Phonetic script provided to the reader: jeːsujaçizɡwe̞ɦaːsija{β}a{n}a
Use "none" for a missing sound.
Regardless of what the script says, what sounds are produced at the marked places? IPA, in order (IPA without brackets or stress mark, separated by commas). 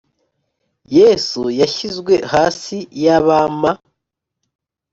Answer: β, m